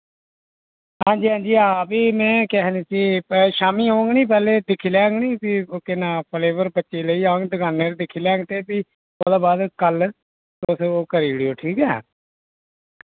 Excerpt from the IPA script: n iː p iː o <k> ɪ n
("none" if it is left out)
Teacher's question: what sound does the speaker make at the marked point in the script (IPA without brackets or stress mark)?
k